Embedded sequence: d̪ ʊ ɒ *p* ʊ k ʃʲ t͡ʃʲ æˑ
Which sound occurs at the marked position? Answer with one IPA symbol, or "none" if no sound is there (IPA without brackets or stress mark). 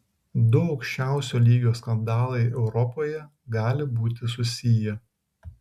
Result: none